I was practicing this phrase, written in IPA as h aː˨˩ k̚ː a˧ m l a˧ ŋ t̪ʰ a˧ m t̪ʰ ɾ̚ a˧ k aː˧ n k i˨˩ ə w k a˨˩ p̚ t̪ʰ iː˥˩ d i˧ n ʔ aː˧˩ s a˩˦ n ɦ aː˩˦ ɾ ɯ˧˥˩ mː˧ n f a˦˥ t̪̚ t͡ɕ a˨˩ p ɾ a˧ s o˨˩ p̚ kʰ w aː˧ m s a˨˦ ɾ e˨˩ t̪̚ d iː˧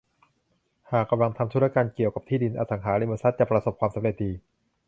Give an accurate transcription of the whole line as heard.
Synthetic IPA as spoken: h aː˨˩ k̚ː a˧ m l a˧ ŋ t̪ʰ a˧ m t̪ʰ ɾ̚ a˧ k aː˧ n k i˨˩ ə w k a˨˩ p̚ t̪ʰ iː˥˩ d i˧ n ʔ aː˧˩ s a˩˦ ŋ ɦ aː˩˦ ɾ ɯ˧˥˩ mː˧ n s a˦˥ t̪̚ t͡ɕ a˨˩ p ɾ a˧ s o˨˩ p̚ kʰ w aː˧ m s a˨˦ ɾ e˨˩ t̪̚ d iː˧